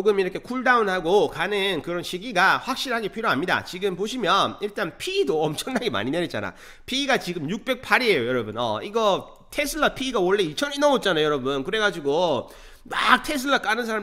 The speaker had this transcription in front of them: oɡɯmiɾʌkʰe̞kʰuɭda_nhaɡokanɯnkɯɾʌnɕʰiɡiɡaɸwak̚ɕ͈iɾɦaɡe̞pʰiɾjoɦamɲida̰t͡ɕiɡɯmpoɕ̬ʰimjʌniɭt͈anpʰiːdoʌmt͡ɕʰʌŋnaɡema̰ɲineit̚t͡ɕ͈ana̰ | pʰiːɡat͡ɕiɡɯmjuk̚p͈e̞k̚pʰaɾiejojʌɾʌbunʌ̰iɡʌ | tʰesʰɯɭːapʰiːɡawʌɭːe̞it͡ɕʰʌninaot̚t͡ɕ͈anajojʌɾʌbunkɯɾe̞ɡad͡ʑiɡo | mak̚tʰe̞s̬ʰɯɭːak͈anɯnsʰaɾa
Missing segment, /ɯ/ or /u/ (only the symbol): u